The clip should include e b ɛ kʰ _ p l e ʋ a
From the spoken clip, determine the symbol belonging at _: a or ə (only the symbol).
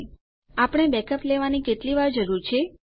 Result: ə